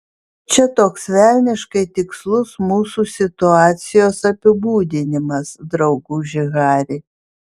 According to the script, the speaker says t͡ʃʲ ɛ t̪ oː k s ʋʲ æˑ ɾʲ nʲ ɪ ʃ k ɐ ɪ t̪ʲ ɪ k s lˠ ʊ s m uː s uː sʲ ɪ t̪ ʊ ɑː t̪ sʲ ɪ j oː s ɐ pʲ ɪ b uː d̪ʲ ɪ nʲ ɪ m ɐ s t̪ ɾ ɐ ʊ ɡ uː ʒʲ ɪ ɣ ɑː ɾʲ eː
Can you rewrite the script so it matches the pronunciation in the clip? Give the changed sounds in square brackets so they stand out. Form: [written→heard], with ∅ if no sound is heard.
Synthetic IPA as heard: t͡ʃʲ ɛ t̪ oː k s ʋʲ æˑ [ɾʲ→lʲ] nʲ ɪ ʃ k ɐ ɪ t̪ʲ ɪ k s lˠ ʊ s m uː s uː sʲ ɪ t̪ ʊ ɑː t̪ sʲ ɪ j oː s ɐ pʲ ɪ b uː d̪ʲ ɪ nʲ ɪ m ɐ s [t̪→d̪] ɾ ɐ ʊ ɡ uː ʒʲ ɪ ɣ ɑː ɾʲ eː